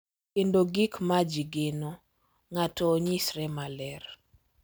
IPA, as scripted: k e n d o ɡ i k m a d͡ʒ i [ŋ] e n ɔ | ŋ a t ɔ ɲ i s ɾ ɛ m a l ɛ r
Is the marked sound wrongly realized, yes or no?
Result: yes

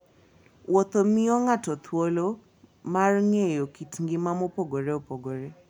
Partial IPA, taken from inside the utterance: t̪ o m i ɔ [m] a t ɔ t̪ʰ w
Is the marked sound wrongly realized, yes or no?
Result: yes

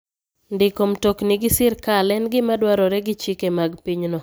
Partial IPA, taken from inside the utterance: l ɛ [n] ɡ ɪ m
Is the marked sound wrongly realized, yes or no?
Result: no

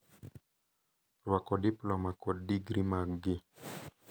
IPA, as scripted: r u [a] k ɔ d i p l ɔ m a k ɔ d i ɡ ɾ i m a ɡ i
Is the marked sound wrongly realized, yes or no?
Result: no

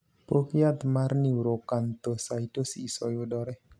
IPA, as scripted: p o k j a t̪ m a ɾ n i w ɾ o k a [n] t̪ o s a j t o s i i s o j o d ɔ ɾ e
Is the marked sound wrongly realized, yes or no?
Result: no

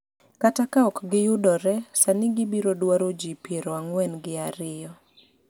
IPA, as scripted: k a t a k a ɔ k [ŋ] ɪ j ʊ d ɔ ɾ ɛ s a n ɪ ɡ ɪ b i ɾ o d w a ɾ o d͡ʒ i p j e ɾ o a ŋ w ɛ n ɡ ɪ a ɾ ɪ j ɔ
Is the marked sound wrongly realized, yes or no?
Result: yes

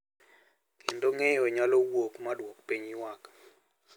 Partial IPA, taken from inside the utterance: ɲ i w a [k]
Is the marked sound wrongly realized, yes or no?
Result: no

